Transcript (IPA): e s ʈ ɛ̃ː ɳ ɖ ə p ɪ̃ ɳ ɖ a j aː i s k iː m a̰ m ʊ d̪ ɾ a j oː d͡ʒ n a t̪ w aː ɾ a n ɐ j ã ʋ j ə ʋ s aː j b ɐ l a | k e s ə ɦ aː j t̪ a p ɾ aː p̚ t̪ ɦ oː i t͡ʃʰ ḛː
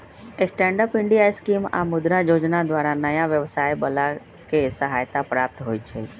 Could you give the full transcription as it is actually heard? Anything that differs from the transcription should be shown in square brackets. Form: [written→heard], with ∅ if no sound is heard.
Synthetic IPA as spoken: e s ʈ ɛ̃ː ɳ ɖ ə p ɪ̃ ɳ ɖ [a→i] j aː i s k iː m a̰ m ʊ d̪ ɾ a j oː d͡ʒ n a [t̪→d̪] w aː ɾ a n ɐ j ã ʋ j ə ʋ s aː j b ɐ l a | k e s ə ɦ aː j t̪ a p ɾ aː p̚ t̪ ɦ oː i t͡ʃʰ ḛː